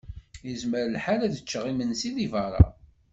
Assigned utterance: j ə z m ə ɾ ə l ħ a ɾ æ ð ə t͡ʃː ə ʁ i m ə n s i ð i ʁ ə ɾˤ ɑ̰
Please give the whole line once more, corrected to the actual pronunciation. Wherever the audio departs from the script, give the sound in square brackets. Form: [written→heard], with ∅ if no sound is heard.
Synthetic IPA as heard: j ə z m ə ɾ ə l ħ a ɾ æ ð ə t͡ʃː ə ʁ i m ə n s i ð i [ʁ→v] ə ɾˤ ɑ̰